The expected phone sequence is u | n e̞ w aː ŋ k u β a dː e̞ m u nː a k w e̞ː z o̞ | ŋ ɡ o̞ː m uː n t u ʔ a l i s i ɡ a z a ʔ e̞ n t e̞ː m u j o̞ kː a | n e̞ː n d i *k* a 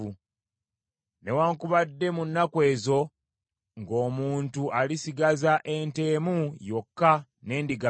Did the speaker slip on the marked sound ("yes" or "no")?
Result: yes